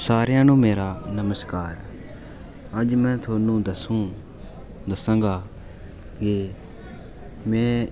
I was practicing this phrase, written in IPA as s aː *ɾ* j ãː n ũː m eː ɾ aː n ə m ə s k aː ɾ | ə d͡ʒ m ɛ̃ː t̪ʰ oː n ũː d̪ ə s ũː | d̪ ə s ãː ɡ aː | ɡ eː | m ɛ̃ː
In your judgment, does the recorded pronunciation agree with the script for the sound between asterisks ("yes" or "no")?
yes